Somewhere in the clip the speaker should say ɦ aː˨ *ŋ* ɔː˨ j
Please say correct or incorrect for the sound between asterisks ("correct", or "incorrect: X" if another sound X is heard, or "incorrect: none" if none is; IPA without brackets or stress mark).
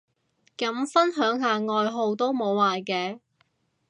correct